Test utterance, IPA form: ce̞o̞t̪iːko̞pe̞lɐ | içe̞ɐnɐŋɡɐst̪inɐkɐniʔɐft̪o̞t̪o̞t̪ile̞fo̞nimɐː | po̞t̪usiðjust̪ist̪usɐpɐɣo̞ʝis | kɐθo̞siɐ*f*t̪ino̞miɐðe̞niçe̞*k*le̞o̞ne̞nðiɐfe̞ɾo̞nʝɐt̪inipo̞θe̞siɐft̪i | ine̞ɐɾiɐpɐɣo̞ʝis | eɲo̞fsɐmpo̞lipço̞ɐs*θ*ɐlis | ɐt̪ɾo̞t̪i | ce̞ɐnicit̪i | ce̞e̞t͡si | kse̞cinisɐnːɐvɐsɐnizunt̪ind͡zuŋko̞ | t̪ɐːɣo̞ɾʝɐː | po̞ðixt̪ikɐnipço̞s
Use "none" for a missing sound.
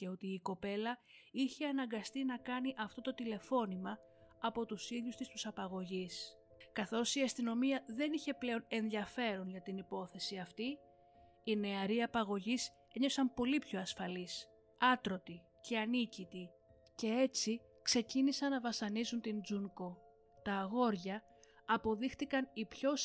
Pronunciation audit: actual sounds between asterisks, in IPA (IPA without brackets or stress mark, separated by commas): s, p, f